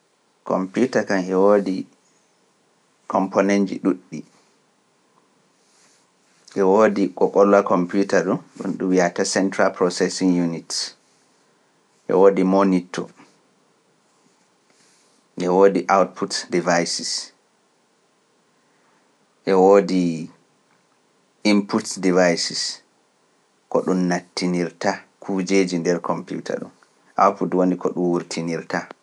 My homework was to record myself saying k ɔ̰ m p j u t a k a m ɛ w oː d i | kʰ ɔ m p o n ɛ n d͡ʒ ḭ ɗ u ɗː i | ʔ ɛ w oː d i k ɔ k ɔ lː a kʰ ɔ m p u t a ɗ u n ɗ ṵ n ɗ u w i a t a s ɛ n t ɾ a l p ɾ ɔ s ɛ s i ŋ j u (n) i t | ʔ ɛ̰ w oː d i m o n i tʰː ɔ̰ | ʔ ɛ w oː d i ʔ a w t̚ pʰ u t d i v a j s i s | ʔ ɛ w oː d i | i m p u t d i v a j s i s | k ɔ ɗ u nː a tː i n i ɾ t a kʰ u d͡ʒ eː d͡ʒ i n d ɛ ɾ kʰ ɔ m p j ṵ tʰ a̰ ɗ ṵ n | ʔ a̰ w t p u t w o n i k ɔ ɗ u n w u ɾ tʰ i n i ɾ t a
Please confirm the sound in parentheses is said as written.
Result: yes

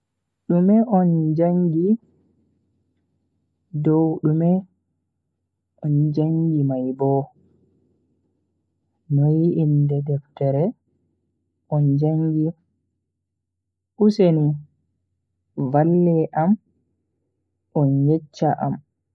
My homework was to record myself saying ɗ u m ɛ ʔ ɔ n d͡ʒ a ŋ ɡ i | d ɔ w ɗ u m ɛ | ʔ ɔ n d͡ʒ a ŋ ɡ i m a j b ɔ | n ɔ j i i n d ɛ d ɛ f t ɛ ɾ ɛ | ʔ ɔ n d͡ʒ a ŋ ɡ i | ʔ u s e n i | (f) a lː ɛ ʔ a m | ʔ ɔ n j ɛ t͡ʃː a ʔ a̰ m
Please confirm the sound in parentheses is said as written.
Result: no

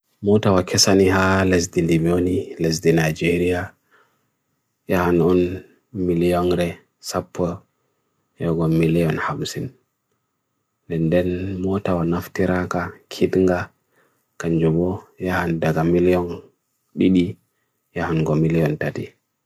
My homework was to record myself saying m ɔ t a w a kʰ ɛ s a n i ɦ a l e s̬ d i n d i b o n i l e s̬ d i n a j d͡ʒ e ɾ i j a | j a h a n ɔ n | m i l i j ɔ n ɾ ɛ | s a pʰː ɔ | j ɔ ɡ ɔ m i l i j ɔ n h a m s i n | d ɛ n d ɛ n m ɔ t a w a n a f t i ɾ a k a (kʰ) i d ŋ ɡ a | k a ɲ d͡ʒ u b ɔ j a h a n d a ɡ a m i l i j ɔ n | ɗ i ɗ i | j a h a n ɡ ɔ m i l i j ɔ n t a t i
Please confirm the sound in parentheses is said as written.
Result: yes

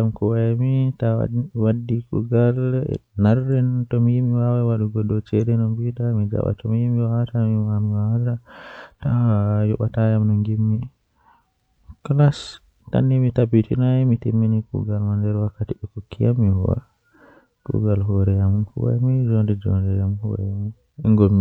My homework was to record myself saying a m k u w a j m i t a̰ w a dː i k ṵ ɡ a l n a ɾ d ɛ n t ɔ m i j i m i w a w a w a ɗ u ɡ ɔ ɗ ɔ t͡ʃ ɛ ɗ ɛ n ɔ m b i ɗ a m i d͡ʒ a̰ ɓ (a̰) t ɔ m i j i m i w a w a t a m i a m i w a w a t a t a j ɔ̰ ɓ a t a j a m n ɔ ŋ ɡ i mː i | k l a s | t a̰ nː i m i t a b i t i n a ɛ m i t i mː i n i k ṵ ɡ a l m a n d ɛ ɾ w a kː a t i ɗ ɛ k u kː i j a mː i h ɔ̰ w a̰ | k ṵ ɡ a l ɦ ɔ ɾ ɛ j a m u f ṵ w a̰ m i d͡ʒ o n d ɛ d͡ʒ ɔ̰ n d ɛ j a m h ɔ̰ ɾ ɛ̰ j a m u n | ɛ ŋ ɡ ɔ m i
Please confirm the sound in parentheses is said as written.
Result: yes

